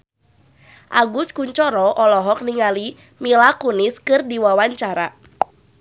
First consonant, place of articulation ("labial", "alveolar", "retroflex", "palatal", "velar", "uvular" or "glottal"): glottal